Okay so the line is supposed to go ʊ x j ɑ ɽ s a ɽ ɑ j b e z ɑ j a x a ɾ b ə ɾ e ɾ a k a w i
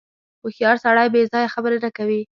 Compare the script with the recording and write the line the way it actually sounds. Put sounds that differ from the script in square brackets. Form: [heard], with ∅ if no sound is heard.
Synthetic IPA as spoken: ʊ x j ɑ [ɾ] s a ɽ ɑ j b e z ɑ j a x a [∅] b ə ɾ e ɾ a k a w i

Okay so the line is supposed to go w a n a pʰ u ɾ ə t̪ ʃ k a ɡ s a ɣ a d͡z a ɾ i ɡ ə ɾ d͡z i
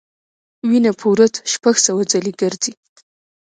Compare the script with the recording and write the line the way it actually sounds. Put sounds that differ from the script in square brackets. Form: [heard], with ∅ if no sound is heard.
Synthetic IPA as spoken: w [i] n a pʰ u ɾ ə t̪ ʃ [p] a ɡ s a [w] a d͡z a [l] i ɡ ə ɾ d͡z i

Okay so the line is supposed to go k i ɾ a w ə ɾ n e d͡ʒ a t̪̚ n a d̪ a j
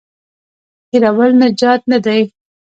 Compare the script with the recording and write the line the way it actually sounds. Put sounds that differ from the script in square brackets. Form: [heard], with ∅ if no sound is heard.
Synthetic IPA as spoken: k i ɾ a w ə [l] n [a] d͡ʒ [ɑ] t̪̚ n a d̪ a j

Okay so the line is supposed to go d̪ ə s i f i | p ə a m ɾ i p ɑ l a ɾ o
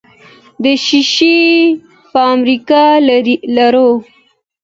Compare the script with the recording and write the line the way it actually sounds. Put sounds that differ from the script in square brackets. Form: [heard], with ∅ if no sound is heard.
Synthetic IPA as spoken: d̪ ə [ʃ] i [ʃ] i | p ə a m ɾ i [k] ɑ l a ɾ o

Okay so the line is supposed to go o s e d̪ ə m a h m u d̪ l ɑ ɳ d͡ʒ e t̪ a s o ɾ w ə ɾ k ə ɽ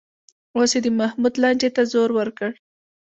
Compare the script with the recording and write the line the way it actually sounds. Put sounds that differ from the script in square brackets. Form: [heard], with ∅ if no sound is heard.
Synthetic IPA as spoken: o s e d̪ ə m a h m u d̪ l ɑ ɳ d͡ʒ e t̪ a [z] o ɾ w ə ɾ k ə ɽ

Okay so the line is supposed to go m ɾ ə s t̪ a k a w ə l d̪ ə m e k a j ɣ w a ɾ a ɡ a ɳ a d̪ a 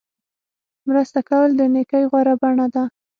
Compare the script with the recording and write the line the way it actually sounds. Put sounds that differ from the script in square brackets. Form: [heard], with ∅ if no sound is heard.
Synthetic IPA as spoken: m ɾ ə s t̪ a k a w ə l d̪ ə [n] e k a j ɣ w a ɾ a [b] a ɳ a d̪ a

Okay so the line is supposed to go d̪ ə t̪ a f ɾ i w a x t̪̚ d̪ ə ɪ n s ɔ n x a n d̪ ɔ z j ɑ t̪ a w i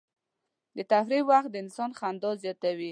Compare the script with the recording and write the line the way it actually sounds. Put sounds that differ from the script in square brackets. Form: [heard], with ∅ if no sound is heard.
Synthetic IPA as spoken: d̪ ə t̪ a f ɾ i w a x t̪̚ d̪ ə ɪ n s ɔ n x a n d̪ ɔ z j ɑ t̪ a w i

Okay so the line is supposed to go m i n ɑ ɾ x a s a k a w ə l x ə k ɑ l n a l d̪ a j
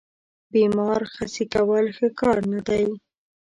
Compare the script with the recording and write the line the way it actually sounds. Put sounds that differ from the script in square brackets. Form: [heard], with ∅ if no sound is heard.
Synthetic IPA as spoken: [b] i [m] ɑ ɾ x a s [i] k a w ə l x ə k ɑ [ɾ] n a [∅] d̪ a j

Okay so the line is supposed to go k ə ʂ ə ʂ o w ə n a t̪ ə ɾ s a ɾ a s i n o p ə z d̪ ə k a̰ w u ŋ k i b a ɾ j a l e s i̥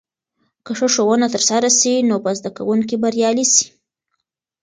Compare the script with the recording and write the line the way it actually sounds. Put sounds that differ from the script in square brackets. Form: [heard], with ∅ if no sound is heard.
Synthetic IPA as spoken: k ə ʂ ə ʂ o w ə n a t̪ ə ɾ s a ɾ a s i n o p ə z d̪ [a] k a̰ w u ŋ k i b a ɾ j [ɑ] l [i] s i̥

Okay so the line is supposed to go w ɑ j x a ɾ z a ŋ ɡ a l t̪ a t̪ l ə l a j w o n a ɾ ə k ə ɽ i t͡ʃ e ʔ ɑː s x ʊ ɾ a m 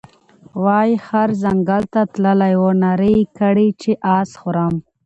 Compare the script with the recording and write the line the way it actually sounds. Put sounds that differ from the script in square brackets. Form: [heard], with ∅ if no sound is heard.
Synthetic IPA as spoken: w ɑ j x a ɾ z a ŋ ɡ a l t̪ a t̪ l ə l a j w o n a ɾ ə k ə ɽ i t͡ʃ e ʔ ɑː s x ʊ ɾ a m

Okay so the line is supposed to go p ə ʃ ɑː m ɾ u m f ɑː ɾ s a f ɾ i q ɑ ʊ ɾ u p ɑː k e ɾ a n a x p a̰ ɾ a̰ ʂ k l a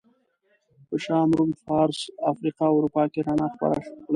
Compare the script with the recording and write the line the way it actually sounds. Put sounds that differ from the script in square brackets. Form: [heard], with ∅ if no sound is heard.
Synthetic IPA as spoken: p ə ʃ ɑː m ɾ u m f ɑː ɾ s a f ɾ i q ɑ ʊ ɾ u p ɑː k e ɾ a n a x p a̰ ɾ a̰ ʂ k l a

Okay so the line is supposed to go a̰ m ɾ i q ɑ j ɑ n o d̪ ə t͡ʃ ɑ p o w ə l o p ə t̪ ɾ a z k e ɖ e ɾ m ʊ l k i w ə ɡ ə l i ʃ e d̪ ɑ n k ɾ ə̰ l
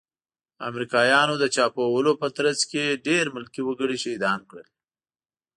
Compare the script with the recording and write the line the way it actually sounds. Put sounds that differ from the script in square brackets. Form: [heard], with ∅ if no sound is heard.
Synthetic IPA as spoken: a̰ m ɾ i [k] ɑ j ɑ n o d̪ ə t͡ʃ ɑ p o w ə l o p ə t̪ ɾ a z k e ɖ e ɾ m ʊ l k i w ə ɡ ə [ɽ] i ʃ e d̪ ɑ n k [ɽ] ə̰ l

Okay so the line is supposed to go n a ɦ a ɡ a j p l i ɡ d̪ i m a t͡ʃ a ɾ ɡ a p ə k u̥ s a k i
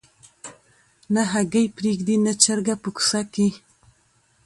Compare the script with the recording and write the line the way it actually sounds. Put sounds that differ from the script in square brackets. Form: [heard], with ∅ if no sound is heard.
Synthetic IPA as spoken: n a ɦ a ɡ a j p [ɾ] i ɡ d̪ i [n] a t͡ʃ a ɾ ɡ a p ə k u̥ s a k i

